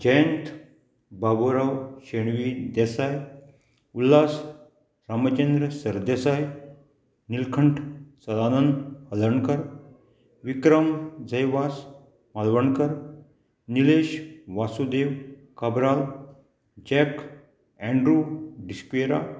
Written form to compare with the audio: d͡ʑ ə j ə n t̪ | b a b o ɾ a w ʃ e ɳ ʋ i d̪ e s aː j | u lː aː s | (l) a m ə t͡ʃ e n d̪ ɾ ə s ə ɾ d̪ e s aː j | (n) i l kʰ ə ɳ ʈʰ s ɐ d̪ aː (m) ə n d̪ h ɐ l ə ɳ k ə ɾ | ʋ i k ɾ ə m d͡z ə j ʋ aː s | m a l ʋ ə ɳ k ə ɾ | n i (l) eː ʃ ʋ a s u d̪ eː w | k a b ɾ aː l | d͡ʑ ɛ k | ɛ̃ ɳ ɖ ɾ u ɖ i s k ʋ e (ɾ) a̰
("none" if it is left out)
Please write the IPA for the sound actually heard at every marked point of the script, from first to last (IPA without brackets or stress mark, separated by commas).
ɾ, n, n, l, ɾ